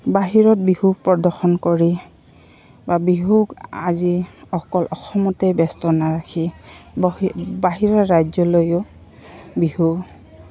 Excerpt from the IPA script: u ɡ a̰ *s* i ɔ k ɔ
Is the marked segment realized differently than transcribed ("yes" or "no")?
yes